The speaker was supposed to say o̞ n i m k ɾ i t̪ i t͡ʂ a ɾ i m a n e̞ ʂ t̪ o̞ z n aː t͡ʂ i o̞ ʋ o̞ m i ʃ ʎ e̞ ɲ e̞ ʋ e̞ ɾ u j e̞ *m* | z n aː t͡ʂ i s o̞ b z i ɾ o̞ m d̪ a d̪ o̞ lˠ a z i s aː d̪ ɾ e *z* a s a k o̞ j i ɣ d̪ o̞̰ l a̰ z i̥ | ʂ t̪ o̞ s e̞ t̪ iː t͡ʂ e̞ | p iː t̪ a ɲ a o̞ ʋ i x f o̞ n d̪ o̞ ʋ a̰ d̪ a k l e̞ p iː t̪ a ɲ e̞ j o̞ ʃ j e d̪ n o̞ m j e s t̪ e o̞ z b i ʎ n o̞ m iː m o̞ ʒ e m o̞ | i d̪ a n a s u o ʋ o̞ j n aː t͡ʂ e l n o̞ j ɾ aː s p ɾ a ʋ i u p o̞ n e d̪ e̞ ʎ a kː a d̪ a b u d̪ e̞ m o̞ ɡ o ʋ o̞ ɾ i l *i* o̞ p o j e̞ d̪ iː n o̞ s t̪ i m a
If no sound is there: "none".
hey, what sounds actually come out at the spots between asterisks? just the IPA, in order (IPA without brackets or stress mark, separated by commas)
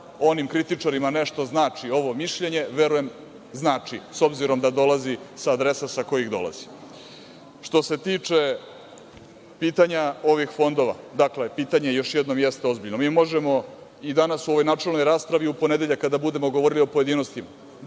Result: m, s, i